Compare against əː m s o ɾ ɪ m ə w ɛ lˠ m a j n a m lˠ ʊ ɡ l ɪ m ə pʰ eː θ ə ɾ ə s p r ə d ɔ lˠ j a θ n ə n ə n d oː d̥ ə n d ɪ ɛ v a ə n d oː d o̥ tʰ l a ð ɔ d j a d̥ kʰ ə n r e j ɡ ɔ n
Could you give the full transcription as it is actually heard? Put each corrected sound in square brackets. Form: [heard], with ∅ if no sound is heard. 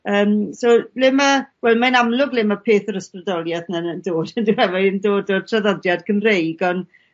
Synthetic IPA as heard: əː m s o [l] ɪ m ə w ɛ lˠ m a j n a m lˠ ʊ ɡ l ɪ m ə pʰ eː θ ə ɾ ə s p r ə d ɔ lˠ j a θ n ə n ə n d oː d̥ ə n d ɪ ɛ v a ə n d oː d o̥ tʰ [r] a ð ɔ d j a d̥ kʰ ə n r e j ɡ ɔ n